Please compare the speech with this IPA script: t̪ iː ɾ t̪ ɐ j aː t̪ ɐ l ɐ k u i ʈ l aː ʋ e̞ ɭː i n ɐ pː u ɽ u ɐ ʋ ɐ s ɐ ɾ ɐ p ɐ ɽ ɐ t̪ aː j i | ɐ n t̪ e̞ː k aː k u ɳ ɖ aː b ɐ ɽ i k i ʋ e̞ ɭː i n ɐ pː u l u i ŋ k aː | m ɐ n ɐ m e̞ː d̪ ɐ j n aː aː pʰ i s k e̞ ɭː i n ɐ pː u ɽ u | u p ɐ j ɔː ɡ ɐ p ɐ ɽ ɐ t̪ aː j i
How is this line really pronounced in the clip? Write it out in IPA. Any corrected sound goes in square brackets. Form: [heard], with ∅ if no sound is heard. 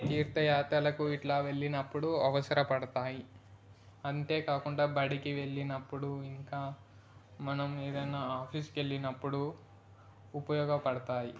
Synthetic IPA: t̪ iː ɾ t̪ ɐ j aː t̪ ɐ l ɐ k u i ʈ l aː ʋ e̞ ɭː i n ɐ pː u ɽ u ɐ ʋ ɐ s ɐ ɾ ɐ p ɐ ɽ ɐ t̪ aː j i | ɐ n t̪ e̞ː k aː k u ɳ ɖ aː b ɐ ɽ i k i ʋ e̞ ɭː i n ɐ pː u [ɽ] u i ŋ k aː | m ɐ n ɐ m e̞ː d̪ ɐ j n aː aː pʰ i s k e̞ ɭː i n ɐ pː u ɽ u | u p ɐ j ɔː ɡ ɐ p ɐ ɽ ɐ t̪ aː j i